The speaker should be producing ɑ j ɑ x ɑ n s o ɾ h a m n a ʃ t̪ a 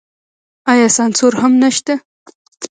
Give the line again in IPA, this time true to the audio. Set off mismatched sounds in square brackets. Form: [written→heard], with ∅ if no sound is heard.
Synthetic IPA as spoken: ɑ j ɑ [x→s] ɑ n s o ɾ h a m n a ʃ t̪ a